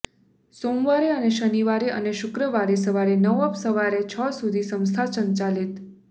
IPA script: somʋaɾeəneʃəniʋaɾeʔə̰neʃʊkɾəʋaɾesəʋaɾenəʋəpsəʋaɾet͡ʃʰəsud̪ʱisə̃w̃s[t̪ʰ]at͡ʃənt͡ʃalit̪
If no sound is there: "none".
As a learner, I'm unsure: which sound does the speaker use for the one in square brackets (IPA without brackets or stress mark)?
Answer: t̪ʰ